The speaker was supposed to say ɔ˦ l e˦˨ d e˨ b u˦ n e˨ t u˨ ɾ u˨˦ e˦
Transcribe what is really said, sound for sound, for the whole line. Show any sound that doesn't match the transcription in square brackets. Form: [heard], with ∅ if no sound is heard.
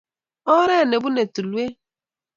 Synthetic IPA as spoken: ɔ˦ [ɾ] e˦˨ [n] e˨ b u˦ n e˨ t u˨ [l] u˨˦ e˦